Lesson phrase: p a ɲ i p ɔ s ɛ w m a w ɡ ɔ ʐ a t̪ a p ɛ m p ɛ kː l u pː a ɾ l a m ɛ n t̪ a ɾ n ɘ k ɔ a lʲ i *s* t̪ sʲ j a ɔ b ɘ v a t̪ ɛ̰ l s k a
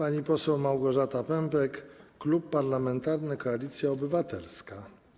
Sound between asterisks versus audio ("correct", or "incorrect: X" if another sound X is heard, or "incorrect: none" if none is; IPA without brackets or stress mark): incorrect: none